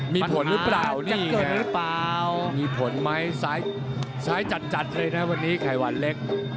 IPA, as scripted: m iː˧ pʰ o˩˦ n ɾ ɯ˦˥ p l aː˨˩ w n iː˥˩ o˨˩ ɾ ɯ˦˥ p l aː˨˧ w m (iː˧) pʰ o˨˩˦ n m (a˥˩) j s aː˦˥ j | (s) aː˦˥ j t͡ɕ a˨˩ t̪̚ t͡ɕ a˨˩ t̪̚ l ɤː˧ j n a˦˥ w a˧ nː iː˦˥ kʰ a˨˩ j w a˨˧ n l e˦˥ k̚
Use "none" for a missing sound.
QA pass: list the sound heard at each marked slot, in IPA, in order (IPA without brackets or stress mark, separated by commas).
iː˧, a˦˥, s